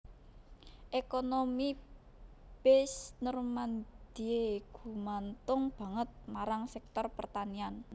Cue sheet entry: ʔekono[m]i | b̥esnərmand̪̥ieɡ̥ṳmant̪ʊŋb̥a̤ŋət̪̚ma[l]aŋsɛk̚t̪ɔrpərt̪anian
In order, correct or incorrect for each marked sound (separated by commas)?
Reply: correct, incorrect